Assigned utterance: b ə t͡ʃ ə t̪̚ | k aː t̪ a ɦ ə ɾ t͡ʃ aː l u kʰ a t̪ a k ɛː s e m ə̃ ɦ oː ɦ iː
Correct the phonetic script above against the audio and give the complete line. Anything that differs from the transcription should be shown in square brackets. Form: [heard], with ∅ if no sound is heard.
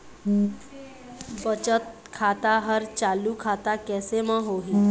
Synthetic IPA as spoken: b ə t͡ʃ ə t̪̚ | [kʰ] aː t̪ a ɦ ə ɾ t͡ʃ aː l u kʰ a t̪ a k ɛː s e m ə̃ ɦ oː ɦ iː